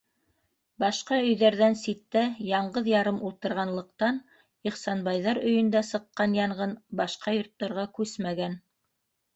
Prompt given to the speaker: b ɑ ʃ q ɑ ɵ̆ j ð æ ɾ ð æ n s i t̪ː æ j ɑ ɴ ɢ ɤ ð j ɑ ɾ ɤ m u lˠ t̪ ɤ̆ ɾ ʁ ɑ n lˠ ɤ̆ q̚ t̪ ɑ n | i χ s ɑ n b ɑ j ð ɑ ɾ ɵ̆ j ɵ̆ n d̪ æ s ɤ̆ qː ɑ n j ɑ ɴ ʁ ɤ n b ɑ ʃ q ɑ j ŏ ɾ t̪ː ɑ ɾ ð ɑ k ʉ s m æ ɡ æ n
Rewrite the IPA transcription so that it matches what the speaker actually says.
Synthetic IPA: b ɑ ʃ q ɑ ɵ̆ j ð æ ɾ ð æ n s i t̪ː æ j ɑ ɴ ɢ ɤ ð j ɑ ɾ ɤ m u lˠ t̪ ɤ̆ ɾ ʁ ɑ n lˠ ɤ̆ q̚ t̪ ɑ n | i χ s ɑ n b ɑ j ð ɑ ɾ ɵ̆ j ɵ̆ n d̪ æ s ɤ̆ qː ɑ n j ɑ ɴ ʁ ɤ n b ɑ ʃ q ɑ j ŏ ɾ t̪ː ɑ ɾ ʁ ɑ k ʉ s m æ ɡ æ n